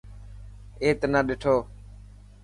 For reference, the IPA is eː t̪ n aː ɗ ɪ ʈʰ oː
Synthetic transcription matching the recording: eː t̪ n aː ɗ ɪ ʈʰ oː